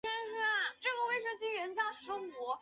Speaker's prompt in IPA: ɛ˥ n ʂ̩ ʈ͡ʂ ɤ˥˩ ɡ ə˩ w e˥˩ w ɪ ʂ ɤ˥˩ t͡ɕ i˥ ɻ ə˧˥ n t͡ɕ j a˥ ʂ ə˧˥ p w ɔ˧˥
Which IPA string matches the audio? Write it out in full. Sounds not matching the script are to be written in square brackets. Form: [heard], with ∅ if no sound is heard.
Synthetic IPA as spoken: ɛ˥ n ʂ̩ ʈ͡ʂ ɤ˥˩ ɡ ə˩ w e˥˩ [∅] ɪ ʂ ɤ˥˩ t͡ɕ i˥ ɻ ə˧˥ n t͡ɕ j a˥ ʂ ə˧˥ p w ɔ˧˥